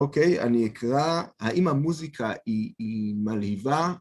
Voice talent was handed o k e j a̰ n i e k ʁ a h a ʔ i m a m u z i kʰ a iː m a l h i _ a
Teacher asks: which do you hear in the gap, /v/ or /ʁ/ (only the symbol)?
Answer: v